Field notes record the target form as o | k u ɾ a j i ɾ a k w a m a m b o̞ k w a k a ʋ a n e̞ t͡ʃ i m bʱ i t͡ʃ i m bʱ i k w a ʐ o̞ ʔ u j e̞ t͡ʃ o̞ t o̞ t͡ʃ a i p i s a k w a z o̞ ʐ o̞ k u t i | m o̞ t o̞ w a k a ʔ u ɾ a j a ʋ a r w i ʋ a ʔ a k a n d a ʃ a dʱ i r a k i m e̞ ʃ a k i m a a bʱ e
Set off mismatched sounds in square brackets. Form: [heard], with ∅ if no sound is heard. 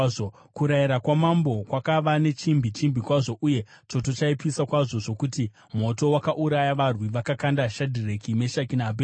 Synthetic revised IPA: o | k u ɾ a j i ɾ a k w a m a m b o̞ k w a k a ʋ a n e̞ t͡ʃ i m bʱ i t͡ʃ i m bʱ i k w a ʐ o̞ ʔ u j e̞ t͡ʃ o̞ t o̞ t͡ʃ a i p i s a k w a [ʐ] o̞ ʐ o̞ k u t i | m o̞ t o̞ w a k a ʔ u ɾ a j a ʋ a r w i ʋ a [k] a k a n d a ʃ a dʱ i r [e] k i m e̞ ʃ a k i [n] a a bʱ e